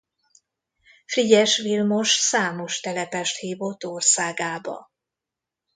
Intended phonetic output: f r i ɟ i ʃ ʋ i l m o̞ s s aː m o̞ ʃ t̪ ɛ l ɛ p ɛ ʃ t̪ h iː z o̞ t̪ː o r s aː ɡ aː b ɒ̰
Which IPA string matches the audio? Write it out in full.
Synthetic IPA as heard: f r i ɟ ɛ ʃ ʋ i l m o̞ ʃ s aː m o̞ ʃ t̪ ɛ l ɛ p ɛ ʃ t̪ h iː v o̞ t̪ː o r s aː ɡ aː b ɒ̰

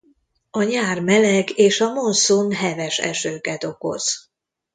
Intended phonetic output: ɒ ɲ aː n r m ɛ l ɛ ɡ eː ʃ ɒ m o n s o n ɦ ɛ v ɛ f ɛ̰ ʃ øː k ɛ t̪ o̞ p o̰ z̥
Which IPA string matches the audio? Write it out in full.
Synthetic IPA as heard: ɒ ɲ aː r m ɛ l ɛ ɡ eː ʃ ɒ m o n s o n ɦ ɛ v ɛ ʃ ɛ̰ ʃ øː k ɛ t̪ o̞ k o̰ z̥

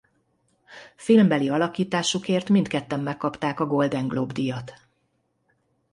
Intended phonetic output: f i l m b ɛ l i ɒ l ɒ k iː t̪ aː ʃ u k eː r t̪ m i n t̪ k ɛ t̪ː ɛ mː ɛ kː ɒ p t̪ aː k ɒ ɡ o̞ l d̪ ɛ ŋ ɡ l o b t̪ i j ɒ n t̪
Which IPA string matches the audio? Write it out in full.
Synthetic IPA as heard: f i l m b ɛ l i ɒ l ɒ k iː t̪ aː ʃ u k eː r t̪ m i n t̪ k ɛ t̪ː ɛ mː ɛ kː ɒ p t̪ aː k ɒ ɡ o̞ l d̪ ɛ ŋ ɡ l o b d̪ i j ɒ t̪

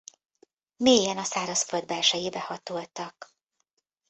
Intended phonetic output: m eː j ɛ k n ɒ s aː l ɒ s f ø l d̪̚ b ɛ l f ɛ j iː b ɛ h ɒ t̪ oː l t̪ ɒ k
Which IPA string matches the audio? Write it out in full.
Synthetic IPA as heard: m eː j ɛ n ɒ s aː ɾ ɒ s f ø l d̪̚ b ɛ l ʃ ɛ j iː b ɛ h ɒ t̪ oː l t̪ ɒ k

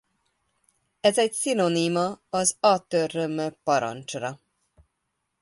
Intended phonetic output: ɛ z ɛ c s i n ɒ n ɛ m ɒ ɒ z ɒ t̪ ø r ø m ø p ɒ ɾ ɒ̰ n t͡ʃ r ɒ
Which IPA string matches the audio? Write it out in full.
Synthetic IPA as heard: ɛ z ɛ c s i n o n i m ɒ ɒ z ɒ t̪ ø r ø m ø p ɒ ɾ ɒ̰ n t͡ʃ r ɒ

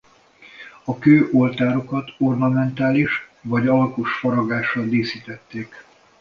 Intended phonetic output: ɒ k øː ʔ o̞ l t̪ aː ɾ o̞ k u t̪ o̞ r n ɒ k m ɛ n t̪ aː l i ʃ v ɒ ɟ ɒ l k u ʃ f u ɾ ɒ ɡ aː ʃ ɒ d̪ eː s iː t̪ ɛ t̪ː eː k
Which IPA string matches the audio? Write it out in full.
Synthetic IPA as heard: ɒ k øː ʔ o̞ l t̪ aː ɾ o̞ k ɒ t̪ o̞ r n ɒ m ɛ n t̪ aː l i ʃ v ɒ ɟ ɒ l k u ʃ f ɒ ɾ ɒ ɡ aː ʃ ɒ d̪ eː s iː t̪ ɛ t̪ː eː k

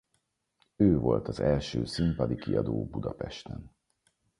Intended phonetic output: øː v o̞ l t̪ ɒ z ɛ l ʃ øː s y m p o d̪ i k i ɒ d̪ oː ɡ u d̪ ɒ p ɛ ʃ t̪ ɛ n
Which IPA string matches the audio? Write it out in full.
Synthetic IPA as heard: øː v o̞ l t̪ ɒ z ɛ l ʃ øː s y m p ɒ d̪ i k i ɒ d̪ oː b u d̪ ɒ p ɛ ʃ t̪ ɛ n

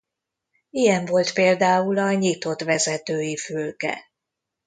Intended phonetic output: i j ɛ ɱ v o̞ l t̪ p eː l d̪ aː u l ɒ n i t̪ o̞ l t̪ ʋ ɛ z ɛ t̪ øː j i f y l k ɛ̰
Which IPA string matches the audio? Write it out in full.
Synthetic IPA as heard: i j ɛ ɱ v o̞ l t̪ p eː l d̪ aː u l ɒ ɲ i t̪ o̞ t̪ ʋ ɛ z ɛ t̪ øː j i f y l k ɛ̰

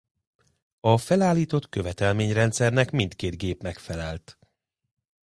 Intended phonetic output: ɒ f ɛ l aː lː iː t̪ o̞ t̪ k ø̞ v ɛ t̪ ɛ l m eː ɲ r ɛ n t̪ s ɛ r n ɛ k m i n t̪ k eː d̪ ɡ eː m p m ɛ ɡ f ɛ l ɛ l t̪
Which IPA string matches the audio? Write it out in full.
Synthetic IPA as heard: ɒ f ɛ l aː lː iː t̪ o̞ t̪ k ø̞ v ɛ t̪ ɛ l m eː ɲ r ɛ n t̪ s ɛ r n ɛ k m i n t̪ k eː d̪ ɡ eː p m ɛ k f ɛ l ɛ l t̪

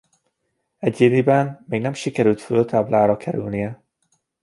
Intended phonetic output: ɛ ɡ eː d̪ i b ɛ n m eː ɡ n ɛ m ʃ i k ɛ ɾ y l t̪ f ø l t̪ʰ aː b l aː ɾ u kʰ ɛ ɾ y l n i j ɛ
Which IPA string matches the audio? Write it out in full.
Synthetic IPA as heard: ɛ ɟ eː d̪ i b ɛ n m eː ɡ n ɛ m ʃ i k ɛ ɾ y l t̪ f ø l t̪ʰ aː b l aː ɾ ɒ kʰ ɛ ɾ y l n i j ɛ

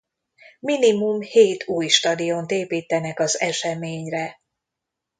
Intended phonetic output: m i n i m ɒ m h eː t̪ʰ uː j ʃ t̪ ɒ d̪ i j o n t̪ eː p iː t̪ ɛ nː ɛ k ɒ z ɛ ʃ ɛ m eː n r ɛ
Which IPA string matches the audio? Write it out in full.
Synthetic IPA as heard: m i n i m u m h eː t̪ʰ uː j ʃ t̪ ɒ d̪ i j o n t̪ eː p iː t̪ ɛ n ɛ k ɒ z ɛ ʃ ɛ m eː ɲ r ɛ

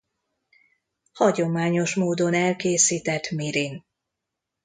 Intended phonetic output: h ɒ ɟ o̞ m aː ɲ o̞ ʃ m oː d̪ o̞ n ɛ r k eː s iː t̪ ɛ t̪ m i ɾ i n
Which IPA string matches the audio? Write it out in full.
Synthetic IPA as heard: h ɒ ɟ o̞ m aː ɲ o̞ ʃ m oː d̪ o̞ n ɛ l k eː s iː t̪ ɛ t̪ m i ɾ i n

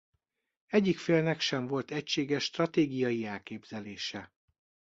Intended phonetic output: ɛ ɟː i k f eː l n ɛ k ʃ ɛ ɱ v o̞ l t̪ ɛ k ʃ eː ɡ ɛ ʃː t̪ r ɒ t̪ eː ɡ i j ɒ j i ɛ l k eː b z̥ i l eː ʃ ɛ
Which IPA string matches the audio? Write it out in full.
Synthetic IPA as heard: ɛ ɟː i k f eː l n ɛ k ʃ ɛ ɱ v o̞ l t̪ ɛ c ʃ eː ɡ ɛ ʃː t̪ r ɒ t̪ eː ɡ i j ɒ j i ɛ l k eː b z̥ ɛ l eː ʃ ɛ

